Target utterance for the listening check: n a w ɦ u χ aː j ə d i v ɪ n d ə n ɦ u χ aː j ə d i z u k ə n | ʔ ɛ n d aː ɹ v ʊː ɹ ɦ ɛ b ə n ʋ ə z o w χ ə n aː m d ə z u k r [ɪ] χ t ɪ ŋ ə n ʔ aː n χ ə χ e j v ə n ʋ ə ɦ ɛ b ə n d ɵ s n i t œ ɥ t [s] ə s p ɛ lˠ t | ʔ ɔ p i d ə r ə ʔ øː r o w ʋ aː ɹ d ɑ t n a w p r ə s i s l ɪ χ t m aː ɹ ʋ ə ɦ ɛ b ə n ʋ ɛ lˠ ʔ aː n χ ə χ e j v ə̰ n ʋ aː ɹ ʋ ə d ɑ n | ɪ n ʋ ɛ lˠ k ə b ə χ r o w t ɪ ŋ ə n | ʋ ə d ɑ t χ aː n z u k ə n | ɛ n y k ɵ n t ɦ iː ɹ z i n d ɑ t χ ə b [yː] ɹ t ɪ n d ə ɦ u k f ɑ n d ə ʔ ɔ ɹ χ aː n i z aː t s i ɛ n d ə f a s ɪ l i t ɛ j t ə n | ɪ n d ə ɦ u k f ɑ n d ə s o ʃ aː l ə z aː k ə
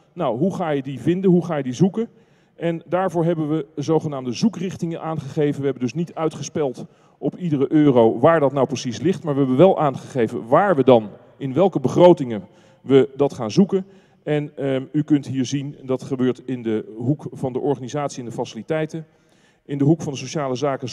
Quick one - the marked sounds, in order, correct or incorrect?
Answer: correct, incorrect: χ, incorrect: øː

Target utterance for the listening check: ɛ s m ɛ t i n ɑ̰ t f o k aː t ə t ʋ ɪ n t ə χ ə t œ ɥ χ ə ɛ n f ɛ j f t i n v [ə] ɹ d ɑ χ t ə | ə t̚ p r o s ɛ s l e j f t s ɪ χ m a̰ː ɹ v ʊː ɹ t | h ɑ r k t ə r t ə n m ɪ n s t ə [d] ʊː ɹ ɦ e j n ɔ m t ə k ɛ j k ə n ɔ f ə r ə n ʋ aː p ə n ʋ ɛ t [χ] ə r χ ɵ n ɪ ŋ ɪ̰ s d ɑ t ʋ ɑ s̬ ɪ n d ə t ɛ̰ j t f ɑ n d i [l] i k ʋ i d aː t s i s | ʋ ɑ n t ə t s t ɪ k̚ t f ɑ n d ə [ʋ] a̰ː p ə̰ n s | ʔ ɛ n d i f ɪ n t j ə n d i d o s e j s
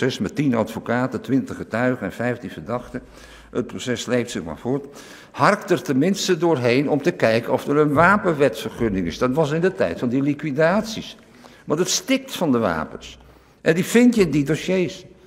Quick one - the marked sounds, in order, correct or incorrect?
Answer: correct, correct, incorrect: f, correct, correct

